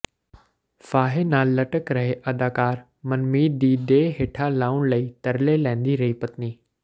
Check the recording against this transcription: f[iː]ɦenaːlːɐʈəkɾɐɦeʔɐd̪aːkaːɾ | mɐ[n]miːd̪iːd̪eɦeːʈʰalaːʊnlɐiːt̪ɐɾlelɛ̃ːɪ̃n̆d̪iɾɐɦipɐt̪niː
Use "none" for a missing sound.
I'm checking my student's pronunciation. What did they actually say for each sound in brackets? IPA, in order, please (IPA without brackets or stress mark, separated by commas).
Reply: aː, n